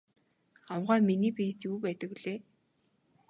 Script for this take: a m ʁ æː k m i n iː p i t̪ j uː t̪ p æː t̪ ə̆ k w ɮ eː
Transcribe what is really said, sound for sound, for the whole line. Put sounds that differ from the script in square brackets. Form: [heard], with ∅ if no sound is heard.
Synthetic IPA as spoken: a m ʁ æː [∅] m i n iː p i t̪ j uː [∅] p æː t̪ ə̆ k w ɮ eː